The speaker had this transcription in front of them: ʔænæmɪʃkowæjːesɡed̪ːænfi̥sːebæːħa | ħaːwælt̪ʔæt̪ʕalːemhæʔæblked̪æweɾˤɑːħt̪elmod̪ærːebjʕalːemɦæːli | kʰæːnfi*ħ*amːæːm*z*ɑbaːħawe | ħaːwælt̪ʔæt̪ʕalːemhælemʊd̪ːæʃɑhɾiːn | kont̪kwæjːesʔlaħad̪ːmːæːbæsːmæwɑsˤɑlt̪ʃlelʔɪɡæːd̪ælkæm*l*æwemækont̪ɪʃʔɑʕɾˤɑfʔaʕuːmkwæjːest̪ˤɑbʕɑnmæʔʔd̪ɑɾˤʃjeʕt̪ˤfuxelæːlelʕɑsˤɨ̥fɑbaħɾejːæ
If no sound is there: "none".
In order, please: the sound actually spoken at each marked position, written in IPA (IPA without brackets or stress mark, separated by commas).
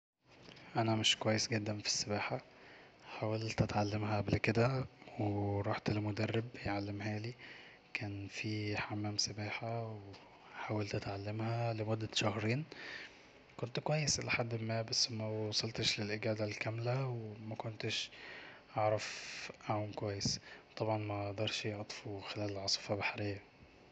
ħ, s, l